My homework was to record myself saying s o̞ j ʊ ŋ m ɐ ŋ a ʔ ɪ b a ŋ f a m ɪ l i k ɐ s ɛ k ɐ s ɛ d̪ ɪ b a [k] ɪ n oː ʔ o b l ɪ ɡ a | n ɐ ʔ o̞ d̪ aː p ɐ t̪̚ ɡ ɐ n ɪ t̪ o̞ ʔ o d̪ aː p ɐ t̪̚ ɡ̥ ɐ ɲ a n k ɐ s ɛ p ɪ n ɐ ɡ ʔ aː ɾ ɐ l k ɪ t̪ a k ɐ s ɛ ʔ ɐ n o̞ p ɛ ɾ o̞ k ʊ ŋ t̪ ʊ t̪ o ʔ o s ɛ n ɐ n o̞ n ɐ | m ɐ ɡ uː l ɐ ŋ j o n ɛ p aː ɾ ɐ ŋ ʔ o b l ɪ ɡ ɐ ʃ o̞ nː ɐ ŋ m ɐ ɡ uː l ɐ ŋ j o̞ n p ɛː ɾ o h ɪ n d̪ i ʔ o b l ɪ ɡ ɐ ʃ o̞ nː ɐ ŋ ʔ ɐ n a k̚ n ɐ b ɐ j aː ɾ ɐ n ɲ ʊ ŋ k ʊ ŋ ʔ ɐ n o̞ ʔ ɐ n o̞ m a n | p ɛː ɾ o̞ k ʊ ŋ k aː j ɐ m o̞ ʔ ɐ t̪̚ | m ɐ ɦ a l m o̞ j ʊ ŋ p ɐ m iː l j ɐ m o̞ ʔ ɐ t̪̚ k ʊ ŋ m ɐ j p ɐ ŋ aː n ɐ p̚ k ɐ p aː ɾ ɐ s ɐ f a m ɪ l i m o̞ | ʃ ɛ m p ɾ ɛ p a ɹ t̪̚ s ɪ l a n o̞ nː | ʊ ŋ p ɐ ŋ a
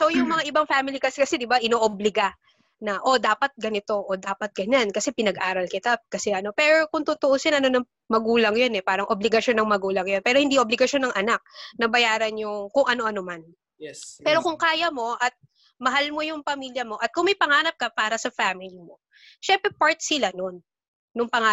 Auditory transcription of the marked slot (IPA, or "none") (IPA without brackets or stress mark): ʔ